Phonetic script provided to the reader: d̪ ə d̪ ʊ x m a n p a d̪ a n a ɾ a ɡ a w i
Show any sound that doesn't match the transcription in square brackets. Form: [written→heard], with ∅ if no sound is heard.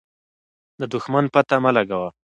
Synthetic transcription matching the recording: d̪ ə d̪ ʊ x m a n p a [d̪→t̪] a [n→m] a [ɾ→l] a ɡ a w [i→a]